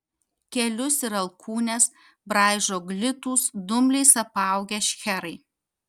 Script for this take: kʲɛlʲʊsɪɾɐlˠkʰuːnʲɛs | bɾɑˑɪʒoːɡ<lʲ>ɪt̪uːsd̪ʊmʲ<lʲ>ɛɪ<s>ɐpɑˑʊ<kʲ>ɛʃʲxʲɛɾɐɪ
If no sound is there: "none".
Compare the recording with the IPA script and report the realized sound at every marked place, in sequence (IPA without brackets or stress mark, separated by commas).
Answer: lʲ, lʲ, s, ɡʲ